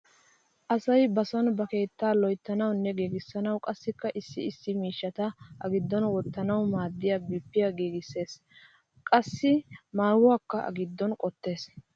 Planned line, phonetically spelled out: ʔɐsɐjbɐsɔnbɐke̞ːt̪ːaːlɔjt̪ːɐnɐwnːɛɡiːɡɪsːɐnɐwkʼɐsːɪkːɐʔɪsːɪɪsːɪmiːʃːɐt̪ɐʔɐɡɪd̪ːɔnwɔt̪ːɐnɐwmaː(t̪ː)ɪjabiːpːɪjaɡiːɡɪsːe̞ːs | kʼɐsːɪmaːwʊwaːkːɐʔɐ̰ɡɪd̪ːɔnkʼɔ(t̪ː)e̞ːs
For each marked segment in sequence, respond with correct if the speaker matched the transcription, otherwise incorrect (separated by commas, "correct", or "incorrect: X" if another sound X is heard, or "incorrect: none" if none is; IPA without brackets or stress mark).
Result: incorrect: d̪ː, correct